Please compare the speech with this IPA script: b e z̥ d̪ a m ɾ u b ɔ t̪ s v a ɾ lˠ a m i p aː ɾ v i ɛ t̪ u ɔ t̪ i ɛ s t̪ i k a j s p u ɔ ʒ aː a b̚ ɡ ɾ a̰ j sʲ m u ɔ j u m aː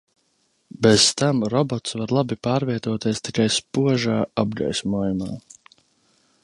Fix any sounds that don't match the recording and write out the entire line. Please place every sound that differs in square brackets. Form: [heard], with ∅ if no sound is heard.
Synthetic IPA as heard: b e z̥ [t̪] a m ɾ [ɔ] b ɔ t̪ s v a ɾ lˠ a [b] i p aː ɾ v i ɛ t̪ u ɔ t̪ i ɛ s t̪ i k a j s p u ɔ ʒ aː a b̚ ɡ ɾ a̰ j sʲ m u ɔ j u m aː